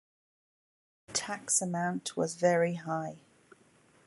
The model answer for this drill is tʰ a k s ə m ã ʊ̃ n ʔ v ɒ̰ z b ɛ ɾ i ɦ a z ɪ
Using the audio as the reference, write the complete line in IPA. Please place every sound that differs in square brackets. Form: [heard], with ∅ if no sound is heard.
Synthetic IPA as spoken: tʰ a k s ə m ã ʊ̃ n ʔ [w] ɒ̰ z [v] ɛ [ɹ] i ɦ a [∅] ɪ